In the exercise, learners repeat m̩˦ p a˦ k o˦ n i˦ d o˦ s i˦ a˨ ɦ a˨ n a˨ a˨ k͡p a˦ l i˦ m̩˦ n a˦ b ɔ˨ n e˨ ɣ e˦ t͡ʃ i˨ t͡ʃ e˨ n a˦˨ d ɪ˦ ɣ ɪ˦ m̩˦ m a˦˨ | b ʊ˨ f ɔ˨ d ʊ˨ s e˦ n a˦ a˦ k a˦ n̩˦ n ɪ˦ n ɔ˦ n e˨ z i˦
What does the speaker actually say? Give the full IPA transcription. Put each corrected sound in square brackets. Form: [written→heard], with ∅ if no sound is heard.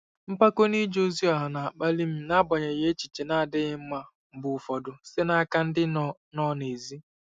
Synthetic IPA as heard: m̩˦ p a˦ k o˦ n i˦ [d→d͡ʒ] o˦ [s→z] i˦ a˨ ɦ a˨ n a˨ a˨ k͡p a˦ l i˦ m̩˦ n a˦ b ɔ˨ [n→ɲ] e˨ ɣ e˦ t͡ʃ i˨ t͡ʃ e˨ n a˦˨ d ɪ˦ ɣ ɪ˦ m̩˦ m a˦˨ | b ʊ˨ f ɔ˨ d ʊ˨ s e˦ n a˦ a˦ k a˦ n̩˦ [n→d] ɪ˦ n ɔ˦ n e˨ z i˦